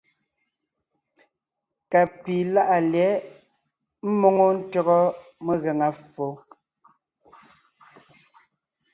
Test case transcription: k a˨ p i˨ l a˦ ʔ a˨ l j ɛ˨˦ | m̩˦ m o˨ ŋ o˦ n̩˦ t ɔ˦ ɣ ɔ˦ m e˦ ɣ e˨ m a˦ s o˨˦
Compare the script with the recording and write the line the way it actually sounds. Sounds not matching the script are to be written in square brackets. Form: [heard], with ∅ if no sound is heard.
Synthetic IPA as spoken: k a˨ p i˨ l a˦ ʔ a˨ l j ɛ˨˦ | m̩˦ m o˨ ŋ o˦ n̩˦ t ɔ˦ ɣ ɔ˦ m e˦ ɣ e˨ [ŋ] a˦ [f] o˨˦